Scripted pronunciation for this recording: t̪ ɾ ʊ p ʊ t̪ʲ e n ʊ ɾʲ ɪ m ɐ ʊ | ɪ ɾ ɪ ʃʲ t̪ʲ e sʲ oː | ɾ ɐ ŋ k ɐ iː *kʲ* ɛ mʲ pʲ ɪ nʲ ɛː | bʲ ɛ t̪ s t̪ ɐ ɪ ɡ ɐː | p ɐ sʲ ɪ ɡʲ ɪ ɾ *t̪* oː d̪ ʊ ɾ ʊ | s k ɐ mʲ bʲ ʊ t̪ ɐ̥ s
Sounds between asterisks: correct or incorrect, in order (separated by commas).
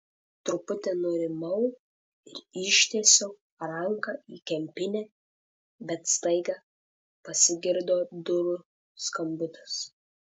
correct, incorrect